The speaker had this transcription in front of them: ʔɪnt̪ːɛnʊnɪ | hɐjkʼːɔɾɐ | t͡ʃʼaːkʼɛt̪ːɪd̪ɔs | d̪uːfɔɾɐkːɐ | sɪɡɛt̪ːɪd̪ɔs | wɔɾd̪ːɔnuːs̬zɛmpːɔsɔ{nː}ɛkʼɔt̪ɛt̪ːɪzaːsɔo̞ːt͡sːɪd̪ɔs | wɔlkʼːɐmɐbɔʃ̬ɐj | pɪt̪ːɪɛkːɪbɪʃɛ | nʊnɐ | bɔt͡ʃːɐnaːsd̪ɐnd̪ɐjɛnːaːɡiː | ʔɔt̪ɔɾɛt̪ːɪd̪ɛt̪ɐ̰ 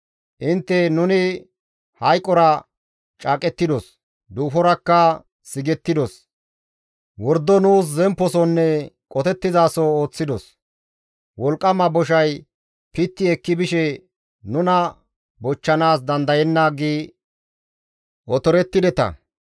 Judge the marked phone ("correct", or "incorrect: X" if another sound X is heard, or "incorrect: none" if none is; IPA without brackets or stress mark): correct